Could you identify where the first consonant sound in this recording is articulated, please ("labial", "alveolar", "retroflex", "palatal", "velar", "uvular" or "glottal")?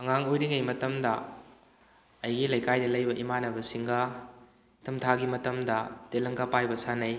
velar